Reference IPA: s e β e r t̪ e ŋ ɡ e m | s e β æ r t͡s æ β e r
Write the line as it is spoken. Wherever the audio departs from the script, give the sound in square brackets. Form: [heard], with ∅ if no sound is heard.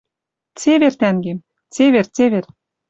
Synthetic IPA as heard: [t͡s] e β e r t̪ [æ] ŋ ɡ e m | [t͡s] e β [e] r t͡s [e] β e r